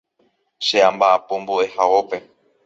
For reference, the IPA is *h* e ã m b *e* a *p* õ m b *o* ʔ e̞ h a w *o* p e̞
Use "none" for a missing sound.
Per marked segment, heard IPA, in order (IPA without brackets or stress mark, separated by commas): ʃ, a, p, o, o